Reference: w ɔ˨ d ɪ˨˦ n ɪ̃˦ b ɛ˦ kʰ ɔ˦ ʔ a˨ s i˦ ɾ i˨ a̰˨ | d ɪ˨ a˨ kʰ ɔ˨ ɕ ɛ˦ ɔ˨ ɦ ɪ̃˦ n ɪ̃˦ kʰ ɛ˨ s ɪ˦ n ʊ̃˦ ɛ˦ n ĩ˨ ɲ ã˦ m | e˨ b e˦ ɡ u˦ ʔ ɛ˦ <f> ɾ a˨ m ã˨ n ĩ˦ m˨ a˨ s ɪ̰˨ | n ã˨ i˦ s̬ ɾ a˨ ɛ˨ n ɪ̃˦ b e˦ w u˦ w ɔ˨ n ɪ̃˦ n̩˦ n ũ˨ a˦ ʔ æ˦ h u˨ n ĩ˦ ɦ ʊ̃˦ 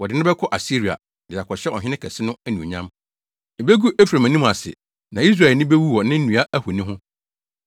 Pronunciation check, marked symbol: correct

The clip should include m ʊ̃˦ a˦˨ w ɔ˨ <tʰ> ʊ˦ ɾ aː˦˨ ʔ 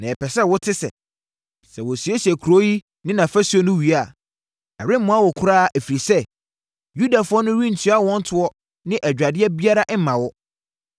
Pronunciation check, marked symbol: incorrect: kʰ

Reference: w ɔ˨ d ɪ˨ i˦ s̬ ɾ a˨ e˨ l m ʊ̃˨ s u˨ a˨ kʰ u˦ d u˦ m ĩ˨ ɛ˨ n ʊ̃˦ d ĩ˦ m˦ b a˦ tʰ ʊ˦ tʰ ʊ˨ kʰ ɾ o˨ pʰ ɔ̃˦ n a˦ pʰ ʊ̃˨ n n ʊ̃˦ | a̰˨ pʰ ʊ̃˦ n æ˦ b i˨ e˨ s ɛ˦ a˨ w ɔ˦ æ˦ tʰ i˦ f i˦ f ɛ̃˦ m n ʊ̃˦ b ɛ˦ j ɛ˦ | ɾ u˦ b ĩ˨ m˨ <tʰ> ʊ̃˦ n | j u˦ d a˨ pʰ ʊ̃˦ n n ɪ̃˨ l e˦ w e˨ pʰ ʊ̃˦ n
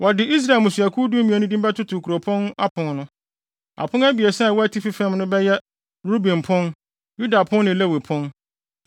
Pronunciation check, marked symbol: incorrect: pʰ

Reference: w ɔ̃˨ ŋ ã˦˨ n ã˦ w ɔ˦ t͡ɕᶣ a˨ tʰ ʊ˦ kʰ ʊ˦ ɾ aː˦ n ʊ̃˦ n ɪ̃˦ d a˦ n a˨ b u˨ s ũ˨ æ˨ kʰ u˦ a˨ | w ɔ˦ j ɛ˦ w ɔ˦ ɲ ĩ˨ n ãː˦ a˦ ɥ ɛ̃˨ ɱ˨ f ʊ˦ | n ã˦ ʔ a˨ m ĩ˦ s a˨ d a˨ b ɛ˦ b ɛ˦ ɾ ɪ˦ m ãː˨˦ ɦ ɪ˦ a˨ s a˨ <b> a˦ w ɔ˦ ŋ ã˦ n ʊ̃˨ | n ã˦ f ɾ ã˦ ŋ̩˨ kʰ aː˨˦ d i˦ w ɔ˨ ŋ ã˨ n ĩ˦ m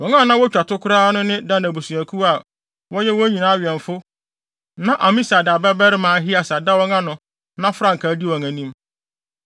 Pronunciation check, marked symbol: incorrect: d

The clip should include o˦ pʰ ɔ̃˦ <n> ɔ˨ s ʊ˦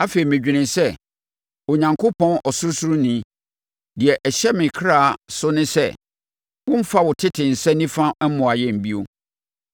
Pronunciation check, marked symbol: correct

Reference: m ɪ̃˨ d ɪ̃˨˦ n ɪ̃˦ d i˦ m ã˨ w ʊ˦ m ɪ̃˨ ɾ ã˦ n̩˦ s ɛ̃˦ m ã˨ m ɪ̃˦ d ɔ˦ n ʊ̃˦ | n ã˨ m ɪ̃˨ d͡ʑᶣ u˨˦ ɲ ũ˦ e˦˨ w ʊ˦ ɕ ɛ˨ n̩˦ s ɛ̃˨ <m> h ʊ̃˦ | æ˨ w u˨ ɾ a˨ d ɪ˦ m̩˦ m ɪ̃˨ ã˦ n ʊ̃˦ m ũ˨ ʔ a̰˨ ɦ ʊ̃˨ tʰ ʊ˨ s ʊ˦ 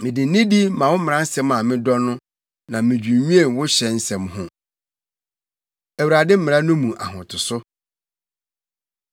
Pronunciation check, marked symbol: correct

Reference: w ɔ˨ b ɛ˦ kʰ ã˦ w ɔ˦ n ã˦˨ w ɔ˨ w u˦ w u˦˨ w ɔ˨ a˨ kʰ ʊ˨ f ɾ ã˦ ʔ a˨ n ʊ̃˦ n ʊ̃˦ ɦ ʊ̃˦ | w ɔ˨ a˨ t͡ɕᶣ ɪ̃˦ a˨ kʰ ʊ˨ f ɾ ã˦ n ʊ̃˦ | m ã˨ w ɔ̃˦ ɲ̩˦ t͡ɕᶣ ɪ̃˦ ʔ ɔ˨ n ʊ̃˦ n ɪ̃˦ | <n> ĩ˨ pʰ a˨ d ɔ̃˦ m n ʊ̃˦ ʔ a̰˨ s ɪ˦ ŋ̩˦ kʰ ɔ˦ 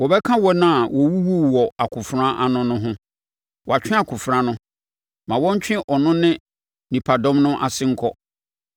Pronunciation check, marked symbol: correct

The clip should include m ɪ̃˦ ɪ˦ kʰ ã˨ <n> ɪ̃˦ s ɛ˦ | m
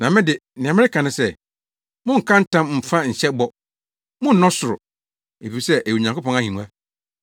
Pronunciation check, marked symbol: correct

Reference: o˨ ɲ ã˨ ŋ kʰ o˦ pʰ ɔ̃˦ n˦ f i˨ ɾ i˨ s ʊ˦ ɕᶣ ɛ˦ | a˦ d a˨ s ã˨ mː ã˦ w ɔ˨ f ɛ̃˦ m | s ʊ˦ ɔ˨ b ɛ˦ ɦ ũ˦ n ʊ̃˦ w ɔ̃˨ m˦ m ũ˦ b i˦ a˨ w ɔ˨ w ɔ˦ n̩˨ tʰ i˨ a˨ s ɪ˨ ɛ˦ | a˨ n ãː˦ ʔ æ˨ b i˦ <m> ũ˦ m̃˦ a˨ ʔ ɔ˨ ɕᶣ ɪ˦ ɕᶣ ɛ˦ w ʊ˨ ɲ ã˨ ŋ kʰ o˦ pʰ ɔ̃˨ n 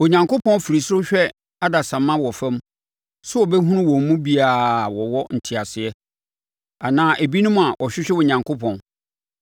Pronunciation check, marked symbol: incorrect: n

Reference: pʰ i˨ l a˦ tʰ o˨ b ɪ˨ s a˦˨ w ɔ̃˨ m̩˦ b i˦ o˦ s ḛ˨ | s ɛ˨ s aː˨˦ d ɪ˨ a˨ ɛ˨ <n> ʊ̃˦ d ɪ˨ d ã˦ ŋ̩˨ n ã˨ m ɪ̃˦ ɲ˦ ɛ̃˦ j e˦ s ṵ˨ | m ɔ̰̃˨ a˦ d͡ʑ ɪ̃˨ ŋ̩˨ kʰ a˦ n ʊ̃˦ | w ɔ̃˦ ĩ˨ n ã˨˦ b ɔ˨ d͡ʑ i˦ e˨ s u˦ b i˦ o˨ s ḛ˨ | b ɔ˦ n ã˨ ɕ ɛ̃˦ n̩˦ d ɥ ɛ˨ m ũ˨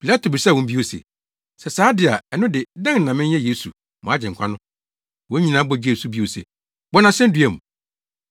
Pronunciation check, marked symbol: correct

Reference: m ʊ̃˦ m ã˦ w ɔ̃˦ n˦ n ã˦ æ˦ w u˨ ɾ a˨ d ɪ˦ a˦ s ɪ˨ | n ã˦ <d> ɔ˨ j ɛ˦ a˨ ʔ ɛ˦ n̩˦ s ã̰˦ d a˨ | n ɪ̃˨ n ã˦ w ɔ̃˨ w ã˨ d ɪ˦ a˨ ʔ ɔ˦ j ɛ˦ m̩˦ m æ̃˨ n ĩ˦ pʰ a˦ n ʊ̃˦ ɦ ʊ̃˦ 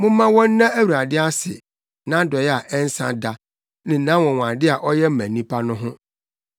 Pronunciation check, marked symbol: correct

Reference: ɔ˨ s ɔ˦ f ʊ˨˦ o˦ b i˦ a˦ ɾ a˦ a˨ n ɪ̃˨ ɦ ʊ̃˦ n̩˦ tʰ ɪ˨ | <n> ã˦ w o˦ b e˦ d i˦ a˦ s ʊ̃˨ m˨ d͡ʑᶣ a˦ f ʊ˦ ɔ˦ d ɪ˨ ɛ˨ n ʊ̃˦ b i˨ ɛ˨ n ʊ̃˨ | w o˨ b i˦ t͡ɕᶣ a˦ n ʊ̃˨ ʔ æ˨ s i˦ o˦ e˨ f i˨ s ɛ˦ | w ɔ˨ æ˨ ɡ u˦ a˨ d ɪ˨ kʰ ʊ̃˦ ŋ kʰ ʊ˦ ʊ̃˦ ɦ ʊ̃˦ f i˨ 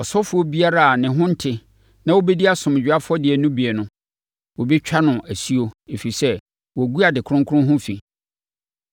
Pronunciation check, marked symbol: correct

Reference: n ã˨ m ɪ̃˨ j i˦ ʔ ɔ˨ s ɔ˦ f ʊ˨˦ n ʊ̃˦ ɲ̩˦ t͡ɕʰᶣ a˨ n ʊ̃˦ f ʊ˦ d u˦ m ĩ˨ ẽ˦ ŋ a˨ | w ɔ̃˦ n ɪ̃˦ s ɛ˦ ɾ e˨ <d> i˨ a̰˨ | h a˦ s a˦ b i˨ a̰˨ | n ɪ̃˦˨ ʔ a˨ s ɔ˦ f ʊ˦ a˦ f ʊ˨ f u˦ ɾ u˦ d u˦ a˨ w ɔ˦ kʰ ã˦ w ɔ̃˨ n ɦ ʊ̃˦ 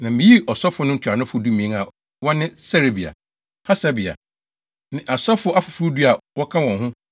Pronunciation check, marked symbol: incorrect: b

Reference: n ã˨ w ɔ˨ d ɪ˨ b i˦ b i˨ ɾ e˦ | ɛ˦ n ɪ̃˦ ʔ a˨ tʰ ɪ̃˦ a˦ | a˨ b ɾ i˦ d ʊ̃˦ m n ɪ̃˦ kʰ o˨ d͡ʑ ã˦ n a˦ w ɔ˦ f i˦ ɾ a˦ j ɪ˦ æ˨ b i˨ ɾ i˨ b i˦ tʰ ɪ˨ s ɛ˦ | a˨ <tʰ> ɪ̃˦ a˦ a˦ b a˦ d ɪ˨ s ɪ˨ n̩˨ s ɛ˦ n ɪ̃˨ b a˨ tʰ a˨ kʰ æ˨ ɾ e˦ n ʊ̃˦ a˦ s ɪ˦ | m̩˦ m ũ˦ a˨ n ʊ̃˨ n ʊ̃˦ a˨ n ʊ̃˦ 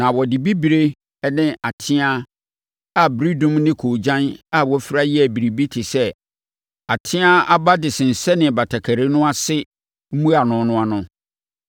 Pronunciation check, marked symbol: correct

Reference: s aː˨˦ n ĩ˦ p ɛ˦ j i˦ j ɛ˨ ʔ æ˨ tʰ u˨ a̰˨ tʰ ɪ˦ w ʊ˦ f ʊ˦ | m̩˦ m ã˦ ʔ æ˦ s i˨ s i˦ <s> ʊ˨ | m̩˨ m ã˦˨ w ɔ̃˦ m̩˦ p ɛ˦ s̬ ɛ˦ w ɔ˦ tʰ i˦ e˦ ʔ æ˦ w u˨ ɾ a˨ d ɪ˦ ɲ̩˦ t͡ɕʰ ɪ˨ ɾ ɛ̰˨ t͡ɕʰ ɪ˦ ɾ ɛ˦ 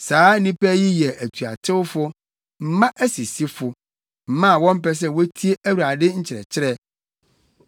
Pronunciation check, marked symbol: incorrect: f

